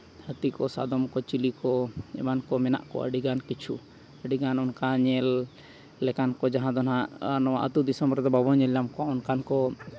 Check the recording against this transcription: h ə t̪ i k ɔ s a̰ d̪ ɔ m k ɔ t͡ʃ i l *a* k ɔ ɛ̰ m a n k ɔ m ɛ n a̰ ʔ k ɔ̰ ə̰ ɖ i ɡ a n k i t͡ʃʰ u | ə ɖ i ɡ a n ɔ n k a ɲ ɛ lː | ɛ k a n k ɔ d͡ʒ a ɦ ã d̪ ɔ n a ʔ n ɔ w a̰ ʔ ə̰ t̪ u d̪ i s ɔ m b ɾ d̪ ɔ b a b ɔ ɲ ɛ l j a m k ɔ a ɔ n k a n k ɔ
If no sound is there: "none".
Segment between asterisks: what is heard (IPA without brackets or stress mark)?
i